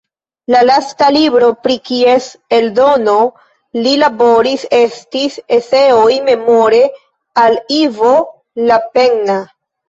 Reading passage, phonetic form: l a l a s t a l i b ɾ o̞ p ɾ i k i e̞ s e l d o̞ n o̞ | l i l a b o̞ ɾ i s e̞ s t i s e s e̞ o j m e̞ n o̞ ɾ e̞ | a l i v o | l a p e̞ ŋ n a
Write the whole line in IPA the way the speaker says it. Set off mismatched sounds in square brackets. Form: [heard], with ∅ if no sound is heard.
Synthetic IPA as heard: l a l a s t a l i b ɾ o̞ p ɾ i k i e̞ s e l d o̞ n o̞ | l i l a b o̞ ɾ i s e̞ s t i s e s e̞ o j m e̞ [m] o̞ ɾ e̞ | a l i v o | l a p e̞ ŋ n a